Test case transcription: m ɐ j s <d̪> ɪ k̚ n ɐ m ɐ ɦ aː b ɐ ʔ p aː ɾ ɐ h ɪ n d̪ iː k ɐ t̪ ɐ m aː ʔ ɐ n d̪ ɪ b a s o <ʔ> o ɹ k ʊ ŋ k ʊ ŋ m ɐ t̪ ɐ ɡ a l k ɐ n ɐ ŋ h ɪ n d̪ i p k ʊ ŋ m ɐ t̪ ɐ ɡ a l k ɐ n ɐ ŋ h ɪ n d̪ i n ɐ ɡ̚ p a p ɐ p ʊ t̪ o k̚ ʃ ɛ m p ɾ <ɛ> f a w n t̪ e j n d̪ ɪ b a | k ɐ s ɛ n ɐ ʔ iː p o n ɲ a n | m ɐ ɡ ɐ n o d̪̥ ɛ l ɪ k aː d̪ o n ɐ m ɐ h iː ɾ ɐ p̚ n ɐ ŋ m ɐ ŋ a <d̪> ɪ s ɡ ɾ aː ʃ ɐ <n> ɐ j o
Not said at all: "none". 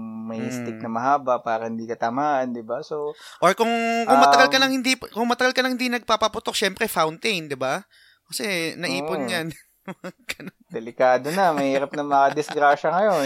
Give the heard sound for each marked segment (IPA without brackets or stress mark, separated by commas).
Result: t̪, ʔ, ɛ, d̪, ŋ